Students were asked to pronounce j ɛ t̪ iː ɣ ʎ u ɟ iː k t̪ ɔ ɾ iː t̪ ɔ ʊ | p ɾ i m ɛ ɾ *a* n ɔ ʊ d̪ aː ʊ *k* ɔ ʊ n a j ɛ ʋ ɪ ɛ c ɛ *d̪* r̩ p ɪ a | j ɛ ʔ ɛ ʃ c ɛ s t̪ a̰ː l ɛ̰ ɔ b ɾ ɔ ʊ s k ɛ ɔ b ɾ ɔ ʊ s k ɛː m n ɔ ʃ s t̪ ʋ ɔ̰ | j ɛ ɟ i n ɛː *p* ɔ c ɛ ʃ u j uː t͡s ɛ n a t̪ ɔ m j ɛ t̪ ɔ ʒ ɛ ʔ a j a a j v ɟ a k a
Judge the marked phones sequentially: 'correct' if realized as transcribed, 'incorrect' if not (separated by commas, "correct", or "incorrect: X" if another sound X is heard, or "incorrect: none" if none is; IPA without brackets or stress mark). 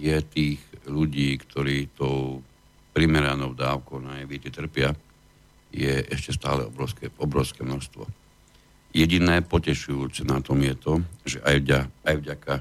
correct, correct, incorrect: t̪, correct